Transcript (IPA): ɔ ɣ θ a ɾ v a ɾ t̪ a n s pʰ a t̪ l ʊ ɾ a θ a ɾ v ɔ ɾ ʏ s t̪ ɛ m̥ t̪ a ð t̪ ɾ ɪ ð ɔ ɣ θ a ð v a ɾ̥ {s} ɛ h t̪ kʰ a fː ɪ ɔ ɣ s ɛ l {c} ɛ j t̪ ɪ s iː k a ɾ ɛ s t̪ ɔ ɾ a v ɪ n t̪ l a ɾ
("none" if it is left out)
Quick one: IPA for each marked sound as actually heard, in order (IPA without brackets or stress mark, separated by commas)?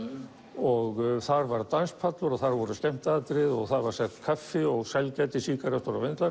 s, c